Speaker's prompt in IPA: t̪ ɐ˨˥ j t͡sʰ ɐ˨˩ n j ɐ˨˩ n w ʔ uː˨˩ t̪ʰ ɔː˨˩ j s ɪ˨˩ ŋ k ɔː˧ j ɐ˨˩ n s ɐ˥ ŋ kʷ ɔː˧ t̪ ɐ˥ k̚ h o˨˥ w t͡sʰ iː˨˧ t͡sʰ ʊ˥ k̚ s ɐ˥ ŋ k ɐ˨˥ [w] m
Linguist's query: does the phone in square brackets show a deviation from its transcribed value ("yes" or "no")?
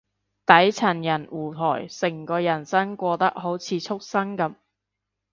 yes